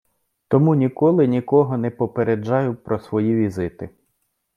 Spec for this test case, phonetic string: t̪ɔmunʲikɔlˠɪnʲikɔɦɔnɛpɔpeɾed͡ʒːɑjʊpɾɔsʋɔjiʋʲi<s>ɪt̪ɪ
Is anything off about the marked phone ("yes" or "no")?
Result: yes